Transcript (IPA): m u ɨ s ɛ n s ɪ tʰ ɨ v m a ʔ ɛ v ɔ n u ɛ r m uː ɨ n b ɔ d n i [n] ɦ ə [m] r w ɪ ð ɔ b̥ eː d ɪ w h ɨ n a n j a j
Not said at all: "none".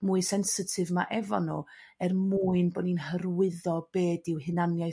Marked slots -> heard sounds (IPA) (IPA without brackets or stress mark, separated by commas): n, none